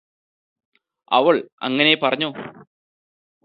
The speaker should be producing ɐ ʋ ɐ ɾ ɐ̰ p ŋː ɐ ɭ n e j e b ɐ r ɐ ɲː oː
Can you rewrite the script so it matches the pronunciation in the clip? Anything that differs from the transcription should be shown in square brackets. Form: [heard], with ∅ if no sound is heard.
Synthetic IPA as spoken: ɐ ʋ ɐ [ɭ] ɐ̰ [∅] ŋː ɐ [∅] n e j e [p] ɐ r ɐ ɲː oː